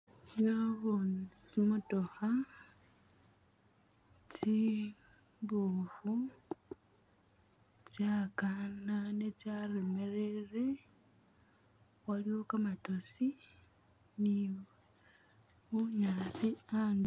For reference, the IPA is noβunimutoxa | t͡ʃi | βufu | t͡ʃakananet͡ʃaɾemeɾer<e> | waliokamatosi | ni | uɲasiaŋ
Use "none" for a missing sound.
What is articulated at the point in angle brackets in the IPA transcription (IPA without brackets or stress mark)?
e